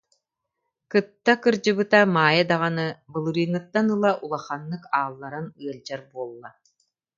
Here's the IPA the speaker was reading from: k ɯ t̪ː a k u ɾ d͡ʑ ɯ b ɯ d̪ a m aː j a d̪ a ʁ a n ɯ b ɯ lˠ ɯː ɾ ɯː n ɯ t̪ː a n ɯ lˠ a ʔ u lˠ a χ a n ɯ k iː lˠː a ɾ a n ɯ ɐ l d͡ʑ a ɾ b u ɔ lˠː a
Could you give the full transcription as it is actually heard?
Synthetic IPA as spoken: k ɯ t̪ː a k ɯ ɾ d͡ʑ ɯ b ɯ t̪ a m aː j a d̪ a ʁ a n ɯ b ɯ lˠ ɯ ɾ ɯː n ɯ t̪ː a n ɯ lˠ a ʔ u lˠ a χ a nː ɯ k aː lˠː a ɾ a n ɯ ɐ l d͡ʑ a ɾ b u ɔ lˠː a